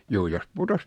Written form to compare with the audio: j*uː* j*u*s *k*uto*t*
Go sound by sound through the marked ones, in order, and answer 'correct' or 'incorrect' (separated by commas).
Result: correct, incorrect, incorrect, incorrect